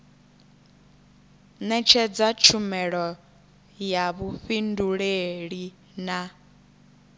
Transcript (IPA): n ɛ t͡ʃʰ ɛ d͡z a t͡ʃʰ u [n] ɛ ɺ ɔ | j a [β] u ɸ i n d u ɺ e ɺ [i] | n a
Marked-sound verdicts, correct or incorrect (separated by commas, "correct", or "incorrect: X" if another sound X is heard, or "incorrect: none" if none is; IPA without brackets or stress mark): incorrect: m, correct, correct